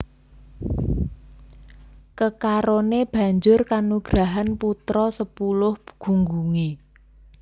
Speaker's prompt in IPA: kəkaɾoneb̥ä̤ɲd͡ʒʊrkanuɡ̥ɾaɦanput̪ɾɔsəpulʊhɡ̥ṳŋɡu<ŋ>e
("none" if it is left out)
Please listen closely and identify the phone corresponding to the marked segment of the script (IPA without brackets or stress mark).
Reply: ŋ